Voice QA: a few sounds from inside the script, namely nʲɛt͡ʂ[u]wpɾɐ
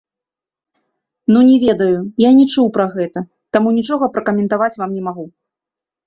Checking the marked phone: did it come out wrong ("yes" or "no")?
no